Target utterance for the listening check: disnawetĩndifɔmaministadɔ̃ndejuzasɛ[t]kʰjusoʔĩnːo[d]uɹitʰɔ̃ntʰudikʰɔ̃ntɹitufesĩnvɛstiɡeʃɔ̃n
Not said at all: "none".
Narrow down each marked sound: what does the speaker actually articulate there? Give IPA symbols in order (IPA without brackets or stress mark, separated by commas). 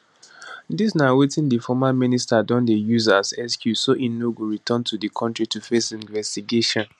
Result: s, ɡ